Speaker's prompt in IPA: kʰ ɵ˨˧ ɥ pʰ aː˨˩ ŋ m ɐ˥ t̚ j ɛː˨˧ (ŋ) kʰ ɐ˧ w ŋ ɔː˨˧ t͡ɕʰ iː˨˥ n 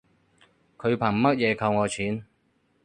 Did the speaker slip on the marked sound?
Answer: yes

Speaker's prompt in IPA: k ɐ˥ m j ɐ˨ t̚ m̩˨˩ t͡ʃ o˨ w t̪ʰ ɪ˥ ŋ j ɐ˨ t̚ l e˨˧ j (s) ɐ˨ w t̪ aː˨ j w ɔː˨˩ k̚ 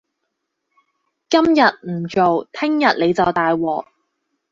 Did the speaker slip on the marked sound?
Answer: yes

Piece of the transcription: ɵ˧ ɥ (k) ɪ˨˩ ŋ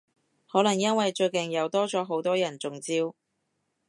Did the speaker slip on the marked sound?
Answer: no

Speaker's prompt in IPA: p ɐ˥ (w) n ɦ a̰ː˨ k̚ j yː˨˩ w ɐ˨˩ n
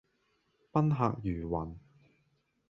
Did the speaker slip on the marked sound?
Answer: yes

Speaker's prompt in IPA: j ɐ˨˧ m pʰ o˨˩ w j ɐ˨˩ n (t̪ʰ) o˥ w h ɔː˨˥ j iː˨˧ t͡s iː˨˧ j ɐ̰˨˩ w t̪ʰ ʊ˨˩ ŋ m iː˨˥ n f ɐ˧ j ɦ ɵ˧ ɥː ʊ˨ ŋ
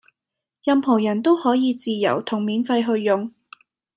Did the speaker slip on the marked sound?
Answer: yes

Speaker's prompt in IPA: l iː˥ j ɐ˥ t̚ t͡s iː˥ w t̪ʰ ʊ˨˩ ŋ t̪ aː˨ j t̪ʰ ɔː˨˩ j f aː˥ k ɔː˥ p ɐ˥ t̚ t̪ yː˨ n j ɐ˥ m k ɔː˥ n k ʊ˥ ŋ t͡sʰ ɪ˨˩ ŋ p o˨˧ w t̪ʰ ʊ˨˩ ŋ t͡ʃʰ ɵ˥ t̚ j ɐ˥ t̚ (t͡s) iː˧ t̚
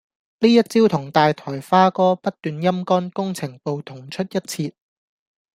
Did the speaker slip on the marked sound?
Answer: yes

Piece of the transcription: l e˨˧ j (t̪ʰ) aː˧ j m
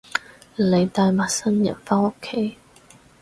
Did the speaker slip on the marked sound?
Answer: yes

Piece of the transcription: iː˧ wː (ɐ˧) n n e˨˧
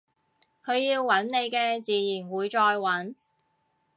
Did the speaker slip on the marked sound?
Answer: yes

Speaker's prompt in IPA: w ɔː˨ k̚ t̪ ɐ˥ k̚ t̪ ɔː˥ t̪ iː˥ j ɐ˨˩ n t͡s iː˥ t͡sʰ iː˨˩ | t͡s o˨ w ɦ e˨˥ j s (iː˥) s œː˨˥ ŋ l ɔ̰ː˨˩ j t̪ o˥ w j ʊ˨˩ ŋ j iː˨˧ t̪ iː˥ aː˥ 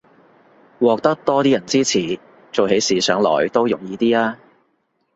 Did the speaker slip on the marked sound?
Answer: yes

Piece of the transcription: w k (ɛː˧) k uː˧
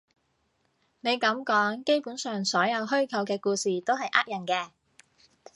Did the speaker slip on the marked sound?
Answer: no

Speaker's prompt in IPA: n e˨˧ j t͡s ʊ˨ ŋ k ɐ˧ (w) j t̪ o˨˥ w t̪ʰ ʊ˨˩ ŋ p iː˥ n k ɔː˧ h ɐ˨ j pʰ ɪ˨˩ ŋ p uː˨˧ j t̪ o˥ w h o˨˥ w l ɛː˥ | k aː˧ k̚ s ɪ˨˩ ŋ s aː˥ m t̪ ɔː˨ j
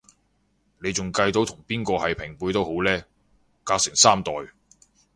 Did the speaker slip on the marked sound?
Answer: yes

